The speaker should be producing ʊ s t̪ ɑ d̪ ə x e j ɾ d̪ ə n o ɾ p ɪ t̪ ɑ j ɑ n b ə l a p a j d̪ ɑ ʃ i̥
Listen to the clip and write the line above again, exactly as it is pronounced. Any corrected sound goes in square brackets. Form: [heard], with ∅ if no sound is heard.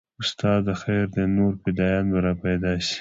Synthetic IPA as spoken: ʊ s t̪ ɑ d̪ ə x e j ɾ d̪ ə n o ɾ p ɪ [d̪] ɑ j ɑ n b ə [ɾ] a p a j d̪ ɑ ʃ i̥